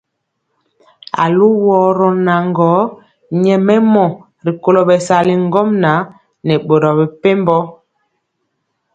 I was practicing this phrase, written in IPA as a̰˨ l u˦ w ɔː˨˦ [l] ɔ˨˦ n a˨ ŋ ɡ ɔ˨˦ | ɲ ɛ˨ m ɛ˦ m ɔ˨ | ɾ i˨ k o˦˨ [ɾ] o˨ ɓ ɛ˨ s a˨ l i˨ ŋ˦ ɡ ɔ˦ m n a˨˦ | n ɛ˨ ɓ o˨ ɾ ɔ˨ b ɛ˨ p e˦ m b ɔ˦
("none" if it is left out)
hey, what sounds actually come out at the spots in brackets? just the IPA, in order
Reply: ɾ, l

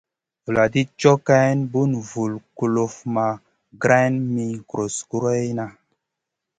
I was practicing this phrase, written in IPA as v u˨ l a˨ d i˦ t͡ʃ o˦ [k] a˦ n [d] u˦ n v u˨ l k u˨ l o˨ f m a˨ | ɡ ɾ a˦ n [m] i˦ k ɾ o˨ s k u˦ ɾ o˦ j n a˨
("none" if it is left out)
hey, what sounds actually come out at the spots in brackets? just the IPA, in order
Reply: k, b, m

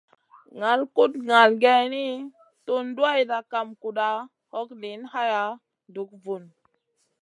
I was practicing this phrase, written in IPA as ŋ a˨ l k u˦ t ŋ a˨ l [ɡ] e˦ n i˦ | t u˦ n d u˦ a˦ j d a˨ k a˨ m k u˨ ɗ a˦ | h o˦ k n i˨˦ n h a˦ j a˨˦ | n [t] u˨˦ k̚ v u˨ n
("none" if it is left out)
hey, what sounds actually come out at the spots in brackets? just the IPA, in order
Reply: ɡ, d

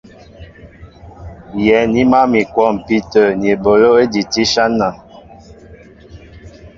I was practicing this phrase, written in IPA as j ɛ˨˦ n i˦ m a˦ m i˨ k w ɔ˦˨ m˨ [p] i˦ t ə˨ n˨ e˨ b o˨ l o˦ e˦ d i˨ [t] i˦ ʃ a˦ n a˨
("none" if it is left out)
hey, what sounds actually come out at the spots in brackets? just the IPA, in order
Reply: p, t

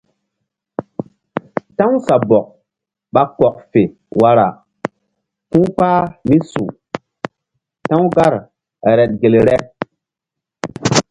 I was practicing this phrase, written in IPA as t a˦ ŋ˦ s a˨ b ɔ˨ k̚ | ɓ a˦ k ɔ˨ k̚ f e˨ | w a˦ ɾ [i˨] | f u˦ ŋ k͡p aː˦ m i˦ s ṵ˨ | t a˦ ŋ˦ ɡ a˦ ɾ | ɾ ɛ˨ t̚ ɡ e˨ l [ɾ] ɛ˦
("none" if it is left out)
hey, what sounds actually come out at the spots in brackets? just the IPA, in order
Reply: a˨, ɾ

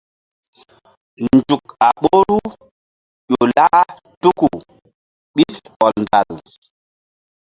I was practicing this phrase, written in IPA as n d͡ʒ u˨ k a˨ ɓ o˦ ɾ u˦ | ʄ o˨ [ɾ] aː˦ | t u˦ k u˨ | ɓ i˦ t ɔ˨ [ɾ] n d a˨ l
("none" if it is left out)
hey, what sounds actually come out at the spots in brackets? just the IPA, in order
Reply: l, l

